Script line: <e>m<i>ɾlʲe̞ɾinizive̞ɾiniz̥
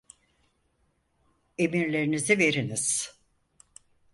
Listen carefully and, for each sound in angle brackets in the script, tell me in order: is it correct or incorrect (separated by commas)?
correct, correct